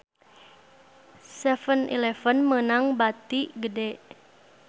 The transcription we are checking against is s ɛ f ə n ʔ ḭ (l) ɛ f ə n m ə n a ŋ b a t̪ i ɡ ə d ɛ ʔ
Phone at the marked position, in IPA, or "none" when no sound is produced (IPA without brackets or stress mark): l